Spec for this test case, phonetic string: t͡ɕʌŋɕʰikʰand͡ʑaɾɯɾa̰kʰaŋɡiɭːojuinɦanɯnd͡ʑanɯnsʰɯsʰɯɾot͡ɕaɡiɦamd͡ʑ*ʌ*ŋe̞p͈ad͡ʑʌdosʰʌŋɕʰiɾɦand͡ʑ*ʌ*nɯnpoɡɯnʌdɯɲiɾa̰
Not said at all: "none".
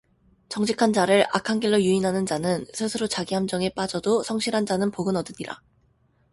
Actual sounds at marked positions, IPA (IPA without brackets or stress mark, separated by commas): ʌ, a